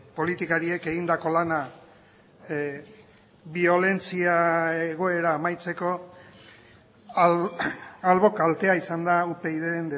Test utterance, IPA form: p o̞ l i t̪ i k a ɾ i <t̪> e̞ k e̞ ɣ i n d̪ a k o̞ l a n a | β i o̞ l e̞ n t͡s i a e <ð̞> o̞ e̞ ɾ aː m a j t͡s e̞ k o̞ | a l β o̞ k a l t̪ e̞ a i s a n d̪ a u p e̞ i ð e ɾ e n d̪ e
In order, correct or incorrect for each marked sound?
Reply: incorrect, incorrect

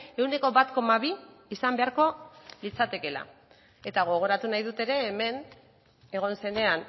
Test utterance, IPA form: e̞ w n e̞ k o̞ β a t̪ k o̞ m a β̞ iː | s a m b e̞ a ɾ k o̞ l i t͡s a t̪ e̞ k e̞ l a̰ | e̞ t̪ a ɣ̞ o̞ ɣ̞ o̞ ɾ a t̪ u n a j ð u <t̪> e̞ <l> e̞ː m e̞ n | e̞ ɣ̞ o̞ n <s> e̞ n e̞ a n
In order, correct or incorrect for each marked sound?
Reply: correct, incorrect, correct

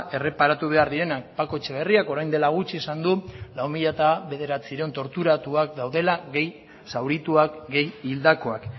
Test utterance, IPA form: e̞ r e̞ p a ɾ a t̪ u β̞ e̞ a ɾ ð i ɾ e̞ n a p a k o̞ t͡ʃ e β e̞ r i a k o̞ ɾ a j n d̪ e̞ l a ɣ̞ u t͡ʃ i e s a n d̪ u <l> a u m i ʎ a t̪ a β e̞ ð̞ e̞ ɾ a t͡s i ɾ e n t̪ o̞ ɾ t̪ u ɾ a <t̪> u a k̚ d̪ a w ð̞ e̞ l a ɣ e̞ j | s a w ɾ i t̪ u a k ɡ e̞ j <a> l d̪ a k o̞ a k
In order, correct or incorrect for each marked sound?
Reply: correct, correct, incorrect

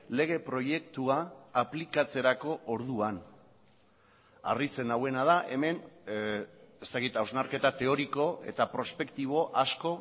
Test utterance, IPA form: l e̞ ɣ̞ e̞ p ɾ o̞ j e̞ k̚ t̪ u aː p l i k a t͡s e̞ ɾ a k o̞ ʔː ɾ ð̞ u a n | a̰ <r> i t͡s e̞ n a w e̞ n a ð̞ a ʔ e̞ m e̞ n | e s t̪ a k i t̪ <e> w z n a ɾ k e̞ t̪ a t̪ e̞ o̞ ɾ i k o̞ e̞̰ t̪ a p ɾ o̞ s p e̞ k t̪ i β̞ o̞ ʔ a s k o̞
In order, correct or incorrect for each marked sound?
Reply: correct, incorrect

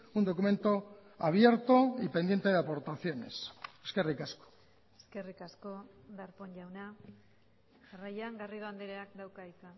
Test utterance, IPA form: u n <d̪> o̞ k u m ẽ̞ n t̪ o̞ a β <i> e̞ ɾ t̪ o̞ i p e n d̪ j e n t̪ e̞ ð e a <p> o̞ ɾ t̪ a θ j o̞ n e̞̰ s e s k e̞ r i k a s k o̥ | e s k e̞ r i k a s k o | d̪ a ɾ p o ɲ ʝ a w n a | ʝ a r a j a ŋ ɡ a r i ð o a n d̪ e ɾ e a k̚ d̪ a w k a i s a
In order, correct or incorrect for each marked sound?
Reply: correct, incorrect, correct

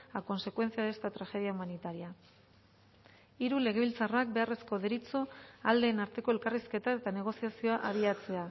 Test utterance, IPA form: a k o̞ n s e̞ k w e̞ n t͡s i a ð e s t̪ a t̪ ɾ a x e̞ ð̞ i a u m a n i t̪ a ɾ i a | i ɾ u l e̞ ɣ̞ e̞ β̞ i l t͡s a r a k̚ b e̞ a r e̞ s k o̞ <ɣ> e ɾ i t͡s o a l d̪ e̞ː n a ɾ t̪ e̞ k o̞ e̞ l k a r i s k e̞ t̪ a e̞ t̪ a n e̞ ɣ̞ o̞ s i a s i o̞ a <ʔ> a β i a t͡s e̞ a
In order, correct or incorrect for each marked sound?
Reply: incorrect, correct

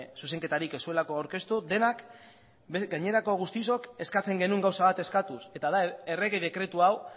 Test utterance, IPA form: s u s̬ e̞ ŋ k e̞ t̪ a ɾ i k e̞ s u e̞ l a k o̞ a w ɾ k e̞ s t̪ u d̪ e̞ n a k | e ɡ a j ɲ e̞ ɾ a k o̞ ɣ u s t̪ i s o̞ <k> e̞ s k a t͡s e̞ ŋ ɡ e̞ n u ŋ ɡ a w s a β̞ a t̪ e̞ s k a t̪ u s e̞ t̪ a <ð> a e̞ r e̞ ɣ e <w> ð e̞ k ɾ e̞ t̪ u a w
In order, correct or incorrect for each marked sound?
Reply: correct, correct, incorrect

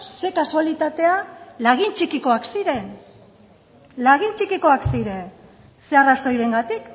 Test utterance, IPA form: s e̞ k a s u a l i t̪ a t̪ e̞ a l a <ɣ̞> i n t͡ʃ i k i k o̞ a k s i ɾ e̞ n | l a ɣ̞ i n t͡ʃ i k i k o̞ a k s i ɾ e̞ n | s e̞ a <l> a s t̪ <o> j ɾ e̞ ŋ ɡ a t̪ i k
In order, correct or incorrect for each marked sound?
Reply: correct, incorrect, correct

